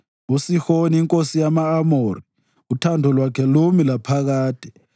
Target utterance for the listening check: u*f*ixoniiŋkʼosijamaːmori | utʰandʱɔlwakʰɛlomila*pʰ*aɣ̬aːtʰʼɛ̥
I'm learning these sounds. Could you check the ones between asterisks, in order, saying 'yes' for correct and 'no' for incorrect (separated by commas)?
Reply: no, yes